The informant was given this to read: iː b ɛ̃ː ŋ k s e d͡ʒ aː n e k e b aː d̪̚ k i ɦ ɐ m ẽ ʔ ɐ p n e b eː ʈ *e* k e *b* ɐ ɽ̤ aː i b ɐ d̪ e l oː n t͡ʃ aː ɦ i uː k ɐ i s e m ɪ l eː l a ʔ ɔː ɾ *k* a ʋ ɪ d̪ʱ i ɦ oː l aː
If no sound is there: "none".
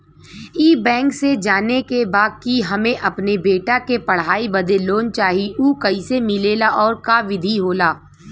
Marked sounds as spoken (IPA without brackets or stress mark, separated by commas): a, p, k